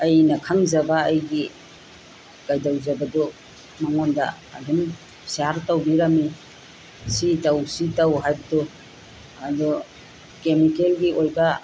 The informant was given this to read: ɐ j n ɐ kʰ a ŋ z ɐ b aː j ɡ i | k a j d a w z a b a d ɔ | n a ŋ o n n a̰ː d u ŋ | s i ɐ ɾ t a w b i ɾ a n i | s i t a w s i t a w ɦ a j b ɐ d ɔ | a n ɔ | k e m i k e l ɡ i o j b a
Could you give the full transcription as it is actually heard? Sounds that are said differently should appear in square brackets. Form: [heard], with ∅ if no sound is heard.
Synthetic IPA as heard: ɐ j n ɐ kʰ a ŋ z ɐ b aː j ɡ i | k a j d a w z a b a d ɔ | [m] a ŋ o n [d] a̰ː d u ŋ | s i [a] ɾ t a w b i ɾ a [m] i | s i t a w s i t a w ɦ a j b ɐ d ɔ | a [d] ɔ | k e m i k e l ɡ i o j b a